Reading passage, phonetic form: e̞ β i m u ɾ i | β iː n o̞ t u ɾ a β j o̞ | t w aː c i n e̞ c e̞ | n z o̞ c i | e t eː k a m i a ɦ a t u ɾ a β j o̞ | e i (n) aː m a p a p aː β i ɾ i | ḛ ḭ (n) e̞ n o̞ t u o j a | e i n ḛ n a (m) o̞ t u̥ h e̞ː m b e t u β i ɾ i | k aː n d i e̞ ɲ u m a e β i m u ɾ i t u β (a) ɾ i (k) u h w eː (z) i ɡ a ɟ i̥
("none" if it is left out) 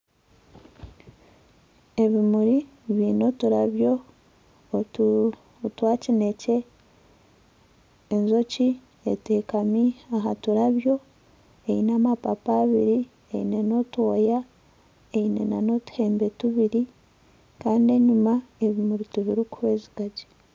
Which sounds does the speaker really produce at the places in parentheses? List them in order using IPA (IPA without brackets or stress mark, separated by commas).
n, n, n, i, k, z